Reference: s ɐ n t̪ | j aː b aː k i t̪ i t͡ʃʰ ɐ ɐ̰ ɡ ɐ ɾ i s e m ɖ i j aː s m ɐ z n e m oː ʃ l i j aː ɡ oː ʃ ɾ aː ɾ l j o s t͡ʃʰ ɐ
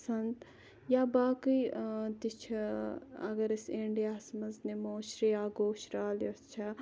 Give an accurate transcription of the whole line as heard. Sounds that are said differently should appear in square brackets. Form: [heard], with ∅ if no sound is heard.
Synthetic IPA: s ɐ n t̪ | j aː b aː k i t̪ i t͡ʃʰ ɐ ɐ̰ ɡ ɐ ɾ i s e [ɳ] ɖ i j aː s m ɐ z n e m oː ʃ [ɾ] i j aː ɡ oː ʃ ɾ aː [∅] l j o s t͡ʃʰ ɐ